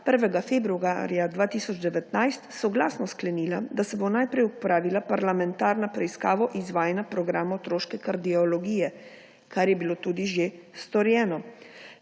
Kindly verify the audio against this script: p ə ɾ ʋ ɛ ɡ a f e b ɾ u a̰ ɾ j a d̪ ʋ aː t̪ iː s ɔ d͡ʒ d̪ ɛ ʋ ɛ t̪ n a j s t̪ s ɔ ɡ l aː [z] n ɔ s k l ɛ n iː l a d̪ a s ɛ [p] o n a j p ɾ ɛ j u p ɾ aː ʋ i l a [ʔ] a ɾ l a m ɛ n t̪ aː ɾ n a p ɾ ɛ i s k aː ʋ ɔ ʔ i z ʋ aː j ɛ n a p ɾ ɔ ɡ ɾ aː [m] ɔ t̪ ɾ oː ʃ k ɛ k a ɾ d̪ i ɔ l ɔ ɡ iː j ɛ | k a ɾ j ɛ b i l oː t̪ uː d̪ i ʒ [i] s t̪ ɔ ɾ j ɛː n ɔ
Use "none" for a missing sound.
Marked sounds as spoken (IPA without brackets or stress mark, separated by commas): s, b, p, m, e